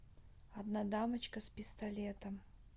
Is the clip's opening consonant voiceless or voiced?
voiced